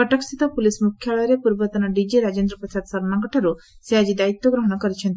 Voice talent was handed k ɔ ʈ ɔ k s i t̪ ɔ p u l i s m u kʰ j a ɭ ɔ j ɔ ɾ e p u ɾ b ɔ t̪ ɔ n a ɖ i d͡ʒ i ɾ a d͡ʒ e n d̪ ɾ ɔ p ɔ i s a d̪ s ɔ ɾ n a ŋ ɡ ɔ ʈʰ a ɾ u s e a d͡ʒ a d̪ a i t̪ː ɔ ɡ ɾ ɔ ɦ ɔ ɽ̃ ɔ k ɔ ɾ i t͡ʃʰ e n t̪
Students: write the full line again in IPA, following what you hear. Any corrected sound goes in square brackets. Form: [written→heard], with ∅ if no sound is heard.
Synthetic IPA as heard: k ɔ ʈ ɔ k s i t̪ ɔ p u l i s m u kʰ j a ɭ ɔ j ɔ ɾ e p u ɾ b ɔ t̪ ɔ n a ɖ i d͡ʒ i ɾ a d͡ʒ e n d̪ ɾ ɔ p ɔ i s a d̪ s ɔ ɾ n a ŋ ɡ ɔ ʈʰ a ɾ u s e a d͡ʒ [a→i] d̪ a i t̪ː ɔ ɡ ɾ ɔ ɦ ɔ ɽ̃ ɔ k ɔ ɾ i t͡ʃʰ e n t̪